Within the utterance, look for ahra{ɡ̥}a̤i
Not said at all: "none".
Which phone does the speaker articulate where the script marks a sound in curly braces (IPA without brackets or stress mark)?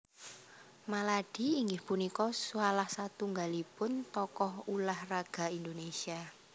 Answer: ɡ̥